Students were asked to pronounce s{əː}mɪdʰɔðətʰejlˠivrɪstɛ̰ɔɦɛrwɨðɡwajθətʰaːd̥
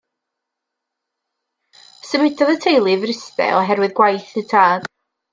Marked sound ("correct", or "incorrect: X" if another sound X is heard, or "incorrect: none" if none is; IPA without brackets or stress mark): incorrect: ə